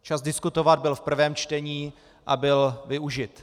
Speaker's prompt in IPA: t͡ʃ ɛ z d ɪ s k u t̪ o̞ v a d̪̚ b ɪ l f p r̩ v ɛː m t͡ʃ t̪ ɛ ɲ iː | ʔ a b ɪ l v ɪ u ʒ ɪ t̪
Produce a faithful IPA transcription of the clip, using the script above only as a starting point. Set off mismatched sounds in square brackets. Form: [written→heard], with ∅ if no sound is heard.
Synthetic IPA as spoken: t͡ʃ [ɛ→a] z d ɪ s k u t̪ o̞ v a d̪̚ b ɪ l f p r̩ v ɛː m t͡ʃ t̪ ɛ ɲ iː | ʔ a b ɪ l v ɪ u ʒ ɪ t̪